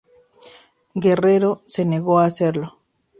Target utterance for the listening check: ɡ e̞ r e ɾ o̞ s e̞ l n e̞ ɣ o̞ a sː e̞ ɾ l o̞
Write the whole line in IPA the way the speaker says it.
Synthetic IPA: ɡ e̞ r e ɾ o̞ s e̞ n e̞ ɣ o̞ a s e̞ ɾ l o̞